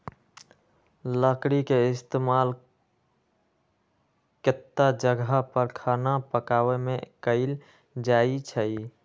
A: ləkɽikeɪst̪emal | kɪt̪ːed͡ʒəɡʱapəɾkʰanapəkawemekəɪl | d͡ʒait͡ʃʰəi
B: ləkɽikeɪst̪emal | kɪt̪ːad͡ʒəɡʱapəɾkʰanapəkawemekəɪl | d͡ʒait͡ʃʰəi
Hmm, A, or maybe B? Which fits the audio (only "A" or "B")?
B